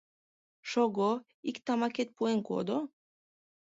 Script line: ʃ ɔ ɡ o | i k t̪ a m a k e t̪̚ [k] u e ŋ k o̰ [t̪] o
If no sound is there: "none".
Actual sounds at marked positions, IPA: p, d̪

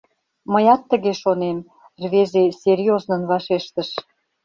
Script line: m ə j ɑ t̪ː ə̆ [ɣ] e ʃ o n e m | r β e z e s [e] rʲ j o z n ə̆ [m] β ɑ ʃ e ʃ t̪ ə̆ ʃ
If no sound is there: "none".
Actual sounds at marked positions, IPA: ɣ, e, n

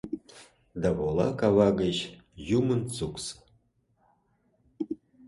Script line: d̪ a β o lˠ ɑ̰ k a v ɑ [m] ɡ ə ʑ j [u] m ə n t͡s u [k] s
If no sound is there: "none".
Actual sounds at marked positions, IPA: none, u, k

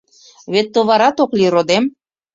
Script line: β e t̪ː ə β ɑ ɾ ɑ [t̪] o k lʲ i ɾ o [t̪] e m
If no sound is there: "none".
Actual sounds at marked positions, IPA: t̪, d̪

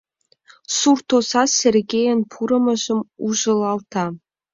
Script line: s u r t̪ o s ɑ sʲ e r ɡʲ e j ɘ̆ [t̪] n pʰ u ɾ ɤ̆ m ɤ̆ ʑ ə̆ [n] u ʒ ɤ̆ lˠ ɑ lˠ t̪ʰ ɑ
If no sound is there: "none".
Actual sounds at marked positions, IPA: none, m

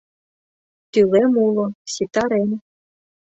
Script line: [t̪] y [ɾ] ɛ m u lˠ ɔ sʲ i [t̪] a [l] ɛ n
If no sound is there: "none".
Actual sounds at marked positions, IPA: t̪, l, t̪, ɾ

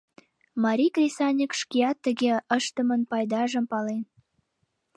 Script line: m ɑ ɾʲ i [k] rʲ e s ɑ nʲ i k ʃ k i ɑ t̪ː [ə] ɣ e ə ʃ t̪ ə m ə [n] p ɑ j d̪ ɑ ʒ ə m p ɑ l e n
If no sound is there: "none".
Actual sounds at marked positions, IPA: k, ə, n

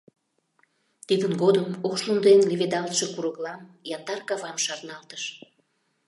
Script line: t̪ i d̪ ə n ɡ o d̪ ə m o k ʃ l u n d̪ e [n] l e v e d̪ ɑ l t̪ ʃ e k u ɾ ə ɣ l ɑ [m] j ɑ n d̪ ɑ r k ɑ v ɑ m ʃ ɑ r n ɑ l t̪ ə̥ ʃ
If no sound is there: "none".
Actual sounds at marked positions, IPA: n, m

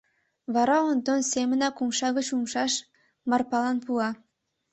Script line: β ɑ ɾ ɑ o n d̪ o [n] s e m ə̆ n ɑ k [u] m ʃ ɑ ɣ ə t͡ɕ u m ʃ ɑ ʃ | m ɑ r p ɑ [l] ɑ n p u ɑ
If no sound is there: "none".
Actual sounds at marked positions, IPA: n, u, l

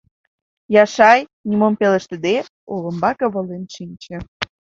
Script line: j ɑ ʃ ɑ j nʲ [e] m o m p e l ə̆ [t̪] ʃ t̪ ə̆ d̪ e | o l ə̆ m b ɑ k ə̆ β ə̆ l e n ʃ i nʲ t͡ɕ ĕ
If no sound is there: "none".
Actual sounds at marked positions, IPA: i, none

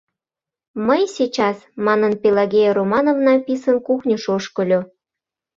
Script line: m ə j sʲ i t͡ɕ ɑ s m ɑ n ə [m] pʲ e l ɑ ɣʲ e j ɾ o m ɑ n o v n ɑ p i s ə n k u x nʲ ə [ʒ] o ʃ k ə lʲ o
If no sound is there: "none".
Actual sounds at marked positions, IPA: n, ʃ

